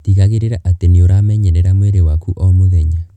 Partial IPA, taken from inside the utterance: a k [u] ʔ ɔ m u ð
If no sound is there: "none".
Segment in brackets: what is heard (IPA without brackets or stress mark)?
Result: u